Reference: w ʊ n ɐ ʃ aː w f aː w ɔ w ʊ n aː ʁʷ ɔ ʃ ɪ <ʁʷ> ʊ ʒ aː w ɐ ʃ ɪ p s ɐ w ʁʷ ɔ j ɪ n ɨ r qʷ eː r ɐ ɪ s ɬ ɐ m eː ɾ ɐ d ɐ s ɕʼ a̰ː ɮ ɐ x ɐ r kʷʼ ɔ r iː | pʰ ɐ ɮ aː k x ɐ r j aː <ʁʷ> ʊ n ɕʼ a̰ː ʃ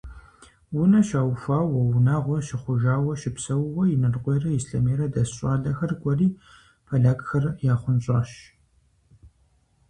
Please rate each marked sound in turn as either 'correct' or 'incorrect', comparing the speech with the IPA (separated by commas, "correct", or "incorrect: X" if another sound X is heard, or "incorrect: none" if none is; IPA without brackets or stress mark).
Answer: incorrect: χʷ, incorrect: χʷ